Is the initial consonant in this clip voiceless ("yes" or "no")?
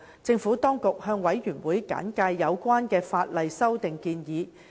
yes